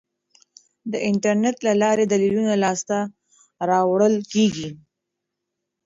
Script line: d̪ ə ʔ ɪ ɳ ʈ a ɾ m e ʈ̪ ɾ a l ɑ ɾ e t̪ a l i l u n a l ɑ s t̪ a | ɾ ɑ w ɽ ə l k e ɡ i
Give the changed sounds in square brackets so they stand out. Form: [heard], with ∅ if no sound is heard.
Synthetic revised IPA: d̪ ə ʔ ɪ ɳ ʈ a ɾ [n] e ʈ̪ [l] a l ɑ ɾ e [d̪] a l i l u n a l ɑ s t̪ a | ɾ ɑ w ɽ ə l k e ɡ i